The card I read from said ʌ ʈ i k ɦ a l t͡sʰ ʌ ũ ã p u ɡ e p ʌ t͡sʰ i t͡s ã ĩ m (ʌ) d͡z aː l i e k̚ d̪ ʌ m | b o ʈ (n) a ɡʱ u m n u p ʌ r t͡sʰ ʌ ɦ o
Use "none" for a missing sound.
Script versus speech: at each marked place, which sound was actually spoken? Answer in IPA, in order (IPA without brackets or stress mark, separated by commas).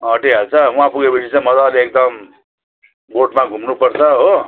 ʌ, m